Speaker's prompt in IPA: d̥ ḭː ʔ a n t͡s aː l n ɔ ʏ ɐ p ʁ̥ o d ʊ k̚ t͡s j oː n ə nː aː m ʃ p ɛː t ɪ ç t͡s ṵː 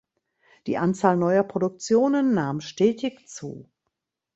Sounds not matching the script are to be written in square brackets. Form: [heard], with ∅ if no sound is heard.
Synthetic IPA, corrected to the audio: d̥ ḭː ʔ a n t͡s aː l n ɔ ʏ ɐ p ʁ̥ o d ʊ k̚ t͡s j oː n ə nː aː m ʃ [t] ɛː t ɪ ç t͡s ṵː